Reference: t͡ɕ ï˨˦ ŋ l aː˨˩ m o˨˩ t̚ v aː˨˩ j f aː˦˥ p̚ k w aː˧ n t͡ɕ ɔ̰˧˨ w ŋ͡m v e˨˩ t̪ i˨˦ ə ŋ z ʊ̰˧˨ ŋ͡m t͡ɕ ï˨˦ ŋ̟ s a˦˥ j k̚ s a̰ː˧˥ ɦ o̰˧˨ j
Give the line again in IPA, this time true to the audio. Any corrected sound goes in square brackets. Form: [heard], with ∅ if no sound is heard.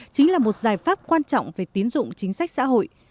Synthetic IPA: t͡ɕ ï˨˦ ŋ l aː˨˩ m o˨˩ t̚ [z] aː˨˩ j f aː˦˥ p̚ k w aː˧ n t͡ɕ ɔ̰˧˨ w ŋ͡m v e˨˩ t̪ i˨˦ ə [n] z ʊ̰˧˨ ŋ͡m t͡ɕ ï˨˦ ŋ̟ s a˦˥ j k̚ s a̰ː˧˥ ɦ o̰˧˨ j